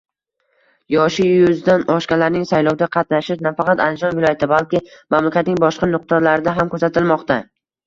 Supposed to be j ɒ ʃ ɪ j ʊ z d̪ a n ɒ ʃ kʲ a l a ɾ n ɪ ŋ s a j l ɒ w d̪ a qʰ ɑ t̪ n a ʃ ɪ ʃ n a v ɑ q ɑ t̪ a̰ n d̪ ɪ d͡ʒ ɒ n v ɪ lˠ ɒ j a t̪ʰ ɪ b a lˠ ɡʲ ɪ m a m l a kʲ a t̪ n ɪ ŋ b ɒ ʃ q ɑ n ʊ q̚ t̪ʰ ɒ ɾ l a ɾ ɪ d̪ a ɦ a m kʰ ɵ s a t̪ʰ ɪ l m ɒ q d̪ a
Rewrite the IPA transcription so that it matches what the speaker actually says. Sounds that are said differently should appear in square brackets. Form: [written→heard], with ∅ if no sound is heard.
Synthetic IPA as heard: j ɒ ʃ ɪ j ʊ z d̪ a n ɒ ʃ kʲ a l a ɾ n ɪ ŋ s a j l ɒ w d̪ a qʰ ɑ t̪ n a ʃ ɪ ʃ n a [v→f] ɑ q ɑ t̪ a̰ n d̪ ɪ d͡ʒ ɒ n v ɪ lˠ ɒ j a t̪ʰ ɪ b a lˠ [ɡʲ→kʲ] ɪ m a m l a kʲ a t̪ n ɪ ŋ b ɒ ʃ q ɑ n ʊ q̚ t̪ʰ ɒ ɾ l a ɾ ɪ d̪ a ɦ a m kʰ ɵ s a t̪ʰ ɪ l m ɒ q [d̪→t̪] a